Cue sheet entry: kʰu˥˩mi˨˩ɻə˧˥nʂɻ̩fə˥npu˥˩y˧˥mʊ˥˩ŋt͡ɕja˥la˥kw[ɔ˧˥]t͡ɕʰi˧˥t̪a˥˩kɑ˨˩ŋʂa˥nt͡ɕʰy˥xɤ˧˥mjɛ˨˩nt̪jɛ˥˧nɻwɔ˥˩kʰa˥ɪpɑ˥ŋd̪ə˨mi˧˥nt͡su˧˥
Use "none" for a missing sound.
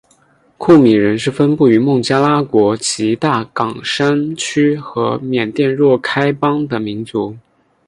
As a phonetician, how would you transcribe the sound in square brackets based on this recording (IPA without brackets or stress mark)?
ɔ˧˥